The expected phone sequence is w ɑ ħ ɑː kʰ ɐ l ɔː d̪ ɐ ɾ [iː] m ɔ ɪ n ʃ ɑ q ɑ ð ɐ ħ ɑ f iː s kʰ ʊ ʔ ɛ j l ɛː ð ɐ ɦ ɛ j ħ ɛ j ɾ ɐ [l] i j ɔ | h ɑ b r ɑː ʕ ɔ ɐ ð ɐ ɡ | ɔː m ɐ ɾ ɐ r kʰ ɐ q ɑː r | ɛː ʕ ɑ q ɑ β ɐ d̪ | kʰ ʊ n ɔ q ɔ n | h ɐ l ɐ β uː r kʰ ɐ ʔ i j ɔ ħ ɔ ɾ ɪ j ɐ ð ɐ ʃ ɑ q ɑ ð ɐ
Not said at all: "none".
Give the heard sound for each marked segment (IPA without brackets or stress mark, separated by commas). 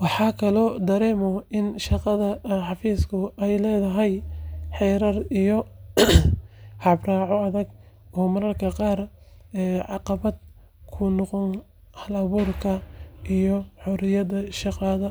ɛː, r